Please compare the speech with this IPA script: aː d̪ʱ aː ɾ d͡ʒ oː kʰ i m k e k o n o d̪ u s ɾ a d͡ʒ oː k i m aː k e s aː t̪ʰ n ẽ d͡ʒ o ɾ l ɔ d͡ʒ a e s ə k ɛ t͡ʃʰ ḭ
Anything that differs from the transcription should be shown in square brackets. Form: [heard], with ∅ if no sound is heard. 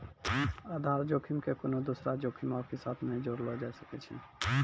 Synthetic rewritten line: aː d̪ʱ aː ɾ d͡ʒ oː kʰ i m k e k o n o d̪ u s ɾ a d͡ʒ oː [kʰ] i m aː k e s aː t̪ʰ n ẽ d͡ʒ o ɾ l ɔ d͡ʒ a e s ə k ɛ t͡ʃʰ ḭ

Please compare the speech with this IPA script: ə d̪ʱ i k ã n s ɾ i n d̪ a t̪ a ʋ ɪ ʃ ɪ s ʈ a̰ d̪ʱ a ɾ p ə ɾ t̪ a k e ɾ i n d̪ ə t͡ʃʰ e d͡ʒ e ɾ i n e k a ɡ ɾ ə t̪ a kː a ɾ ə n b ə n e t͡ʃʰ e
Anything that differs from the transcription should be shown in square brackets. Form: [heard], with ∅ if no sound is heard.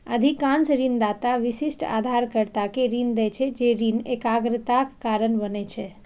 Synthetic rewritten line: ə d̪ʱ i k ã n s ɾ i n d̪ a t̪ a ʋ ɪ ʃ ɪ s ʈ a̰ d̪ʱ a ɾ [k] ə ɾ t̪ a k e ɾ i n d̪ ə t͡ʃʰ e d͡ʒ e ɾ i n e k a ɡ ɾ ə t̪ a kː a ɾ ə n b ə n e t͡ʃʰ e

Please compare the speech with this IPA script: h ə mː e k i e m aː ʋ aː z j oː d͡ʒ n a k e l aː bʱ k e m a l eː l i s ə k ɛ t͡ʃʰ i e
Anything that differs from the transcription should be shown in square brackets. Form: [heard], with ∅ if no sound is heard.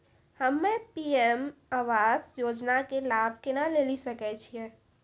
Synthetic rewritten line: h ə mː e [p] i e m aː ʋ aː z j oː d͡ʒ n a k e l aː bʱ k e [n] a l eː l i s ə k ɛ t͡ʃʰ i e

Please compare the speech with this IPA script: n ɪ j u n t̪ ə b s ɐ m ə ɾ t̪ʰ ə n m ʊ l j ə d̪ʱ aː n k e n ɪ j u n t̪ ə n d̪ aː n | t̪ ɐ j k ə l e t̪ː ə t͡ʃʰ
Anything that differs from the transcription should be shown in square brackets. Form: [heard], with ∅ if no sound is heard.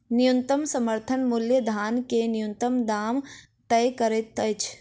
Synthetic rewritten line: n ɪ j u n t̪ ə [m] s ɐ m ə ɾ t̪ʰ ə n m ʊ l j ə d̪ʱ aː n k e n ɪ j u n t̪ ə [m] d̪ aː [m] | t̪ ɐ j k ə [ɾ] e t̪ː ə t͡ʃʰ

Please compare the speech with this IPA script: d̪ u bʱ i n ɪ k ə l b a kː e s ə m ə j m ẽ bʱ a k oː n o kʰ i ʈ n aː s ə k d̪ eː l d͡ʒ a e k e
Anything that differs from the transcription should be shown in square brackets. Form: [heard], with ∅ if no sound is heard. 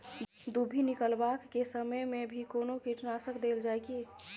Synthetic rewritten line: d̪ u bʱ i n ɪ k ə l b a kː e s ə m ə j m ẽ bʱ [i] k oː n o [k] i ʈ n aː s ə k d̪ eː l d͡ʒ a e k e

